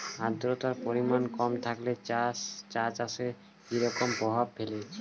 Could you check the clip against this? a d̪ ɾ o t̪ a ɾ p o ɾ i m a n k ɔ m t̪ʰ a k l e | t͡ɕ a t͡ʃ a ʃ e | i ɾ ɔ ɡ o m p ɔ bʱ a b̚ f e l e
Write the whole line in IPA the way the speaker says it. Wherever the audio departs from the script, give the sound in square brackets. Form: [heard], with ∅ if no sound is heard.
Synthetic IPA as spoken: a d̪ ɾ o t̪ a ɾ p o ɾ i m a n k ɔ m t̪ʰ a k l e | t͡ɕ a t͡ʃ a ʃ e | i ɾ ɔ [k] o m p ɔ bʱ a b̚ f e l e